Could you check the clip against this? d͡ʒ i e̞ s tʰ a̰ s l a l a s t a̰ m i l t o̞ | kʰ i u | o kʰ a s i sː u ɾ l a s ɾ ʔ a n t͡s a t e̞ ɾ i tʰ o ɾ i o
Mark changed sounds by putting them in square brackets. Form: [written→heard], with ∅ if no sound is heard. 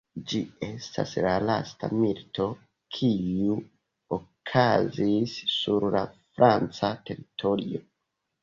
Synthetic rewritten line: d͡ʒ i e̞ s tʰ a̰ s l a l a s t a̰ m i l t o̞ | kʰ i u | o kʰ a [s→z] i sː u ɾ l a [s→f] ɾ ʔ a n t͡s a t e̞ ɾ i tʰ o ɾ i o